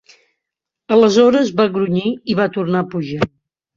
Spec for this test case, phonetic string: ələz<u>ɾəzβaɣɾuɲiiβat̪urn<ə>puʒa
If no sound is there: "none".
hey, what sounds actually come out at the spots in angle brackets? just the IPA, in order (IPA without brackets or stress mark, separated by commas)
ɔ, a